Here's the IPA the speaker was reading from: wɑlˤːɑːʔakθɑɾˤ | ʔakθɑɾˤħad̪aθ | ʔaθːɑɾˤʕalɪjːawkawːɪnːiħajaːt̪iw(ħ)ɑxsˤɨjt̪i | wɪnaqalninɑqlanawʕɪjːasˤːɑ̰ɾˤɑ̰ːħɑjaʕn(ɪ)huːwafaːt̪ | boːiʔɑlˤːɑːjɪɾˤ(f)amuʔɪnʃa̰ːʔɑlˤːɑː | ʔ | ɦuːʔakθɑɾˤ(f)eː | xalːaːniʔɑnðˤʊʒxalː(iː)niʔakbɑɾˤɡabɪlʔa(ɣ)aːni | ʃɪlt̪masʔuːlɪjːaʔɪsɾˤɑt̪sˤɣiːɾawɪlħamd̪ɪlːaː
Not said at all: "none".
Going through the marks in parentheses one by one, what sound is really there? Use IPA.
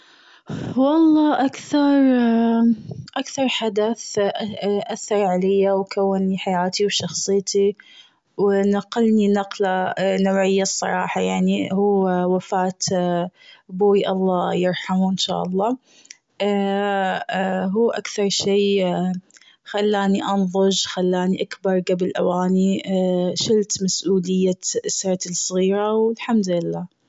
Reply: ʃ, i, ħ, ʃ, aː, w

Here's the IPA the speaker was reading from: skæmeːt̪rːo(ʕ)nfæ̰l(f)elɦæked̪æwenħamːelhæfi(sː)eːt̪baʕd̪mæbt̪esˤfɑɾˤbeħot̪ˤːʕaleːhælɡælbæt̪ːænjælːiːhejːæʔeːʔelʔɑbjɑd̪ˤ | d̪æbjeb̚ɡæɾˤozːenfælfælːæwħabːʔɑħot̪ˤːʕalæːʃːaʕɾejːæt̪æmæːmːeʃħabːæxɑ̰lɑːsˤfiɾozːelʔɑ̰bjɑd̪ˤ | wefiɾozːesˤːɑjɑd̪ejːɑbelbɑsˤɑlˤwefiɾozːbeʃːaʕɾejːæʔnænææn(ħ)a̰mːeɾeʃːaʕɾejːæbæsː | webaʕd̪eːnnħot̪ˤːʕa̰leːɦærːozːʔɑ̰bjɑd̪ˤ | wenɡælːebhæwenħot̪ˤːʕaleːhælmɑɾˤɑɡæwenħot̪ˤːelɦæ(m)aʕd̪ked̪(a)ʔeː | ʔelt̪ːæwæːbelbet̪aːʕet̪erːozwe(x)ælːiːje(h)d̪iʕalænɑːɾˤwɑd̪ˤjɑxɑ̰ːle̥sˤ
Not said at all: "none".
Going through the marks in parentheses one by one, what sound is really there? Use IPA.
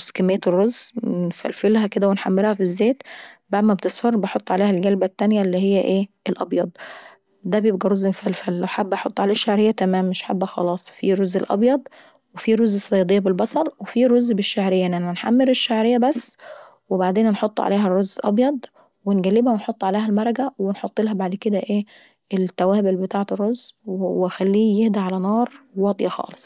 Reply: z, f, zː, ħ, b, æ, x, h

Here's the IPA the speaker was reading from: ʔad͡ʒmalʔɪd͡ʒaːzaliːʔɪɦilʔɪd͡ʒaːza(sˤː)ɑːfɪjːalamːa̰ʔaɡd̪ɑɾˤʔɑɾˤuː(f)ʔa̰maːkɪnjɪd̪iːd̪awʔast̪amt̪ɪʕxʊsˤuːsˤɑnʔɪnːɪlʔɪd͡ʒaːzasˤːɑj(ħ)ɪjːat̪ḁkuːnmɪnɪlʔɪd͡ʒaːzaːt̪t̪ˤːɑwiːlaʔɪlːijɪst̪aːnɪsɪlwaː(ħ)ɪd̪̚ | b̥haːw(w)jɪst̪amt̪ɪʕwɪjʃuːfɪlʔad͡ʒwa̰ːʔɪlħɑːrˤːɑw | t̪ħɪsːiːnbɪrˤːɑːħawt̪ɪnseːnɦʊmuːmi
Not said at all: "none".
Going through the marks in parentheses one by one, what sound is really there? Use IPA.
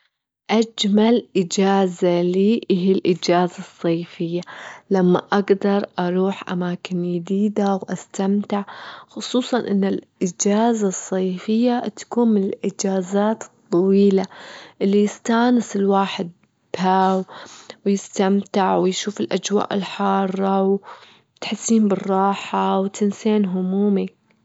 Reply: sˤː, ħ, f, ħ, w

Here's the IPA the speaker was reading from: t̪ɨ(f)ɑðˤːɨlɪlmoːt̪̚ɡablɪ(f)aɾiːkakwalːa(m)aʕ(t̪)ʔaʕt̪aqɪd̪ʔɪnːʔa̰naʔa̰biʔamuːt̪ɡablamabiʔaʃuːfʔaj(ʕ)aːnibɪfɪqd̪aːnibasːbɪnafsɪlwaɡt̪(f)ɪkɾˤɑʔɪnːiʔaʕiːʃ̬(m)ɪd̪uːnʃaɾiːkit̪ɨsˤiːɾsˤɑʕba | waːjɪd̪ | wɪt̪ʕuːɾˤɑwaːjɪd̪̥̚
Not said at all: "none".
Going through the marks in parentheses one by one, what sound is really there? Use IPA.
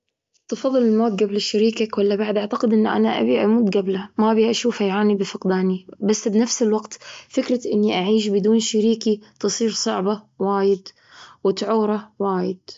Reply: f, ʃ, b, d̪, ʕ, f, b

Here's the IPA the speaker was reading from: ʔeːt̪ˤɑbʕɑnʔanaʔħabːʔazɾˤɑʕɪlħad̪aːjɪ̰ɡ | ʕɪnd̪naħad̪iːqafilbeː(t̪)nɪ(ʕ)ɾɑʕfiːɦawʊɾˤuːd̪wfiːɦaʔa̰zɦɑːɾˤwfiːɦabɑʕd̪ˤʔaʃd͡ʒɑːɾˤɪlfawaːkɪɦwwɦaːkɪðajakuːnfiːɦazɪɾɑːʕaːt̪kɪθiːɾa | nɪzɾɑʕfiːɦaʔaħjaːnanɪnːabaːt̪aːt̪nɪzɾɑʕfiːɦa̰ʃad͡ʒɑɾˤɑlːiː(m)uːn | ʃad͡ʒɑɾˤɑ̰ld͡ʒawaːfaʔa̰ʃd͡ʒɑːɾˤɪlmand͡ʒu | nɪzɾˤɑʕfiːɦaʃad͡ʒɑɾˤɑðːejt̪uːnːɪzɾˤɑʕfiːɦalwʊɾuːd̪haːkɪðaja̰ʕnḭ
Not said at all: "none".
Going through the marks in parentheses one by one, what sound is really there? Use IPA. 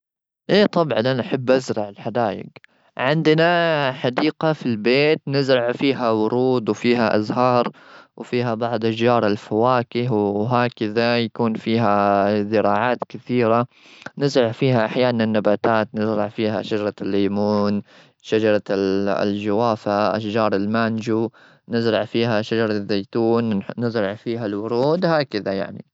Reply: t̪, z, m

